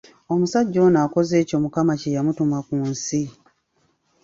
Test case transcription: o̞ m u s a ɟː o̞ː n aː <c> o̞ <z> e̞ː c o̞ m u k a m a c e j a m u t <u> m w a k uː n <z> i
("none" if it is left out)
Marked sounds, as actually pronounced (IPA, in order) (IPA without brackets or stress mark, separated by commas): k, z, u, s